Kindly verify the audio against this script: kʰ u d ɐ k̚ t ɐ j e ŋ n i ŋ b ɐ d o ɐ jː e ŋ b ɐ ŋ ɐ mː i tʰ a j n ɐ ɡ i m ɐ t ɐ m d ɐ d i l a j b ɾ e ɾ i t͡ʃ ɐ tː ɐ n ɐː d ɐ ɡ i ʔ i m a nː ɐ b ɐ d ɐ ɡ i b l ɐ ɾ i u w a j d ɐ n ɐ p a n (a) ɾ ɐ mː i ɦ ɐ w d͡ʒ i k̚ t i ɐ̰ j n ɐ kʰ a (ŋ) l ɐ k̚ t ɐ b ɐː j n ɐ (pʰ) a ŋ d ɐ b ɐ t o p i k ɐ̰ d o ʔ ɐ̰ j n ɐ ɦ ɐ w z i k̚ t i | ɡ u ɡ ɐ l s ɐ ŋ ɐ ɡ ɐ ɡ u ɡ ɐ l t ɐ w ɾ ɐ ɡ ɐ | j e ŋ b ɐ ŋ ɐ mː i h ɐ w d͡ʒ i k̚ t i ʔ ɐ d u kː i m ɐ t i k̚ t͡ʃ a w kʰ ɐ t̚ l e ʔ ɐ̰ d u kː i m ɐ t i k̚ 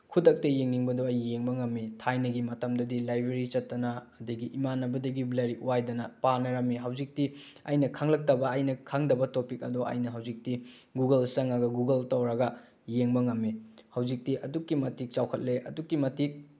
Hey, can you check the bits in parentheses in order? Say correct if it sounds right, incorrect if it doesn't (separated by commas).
incorrect, correct, incorrect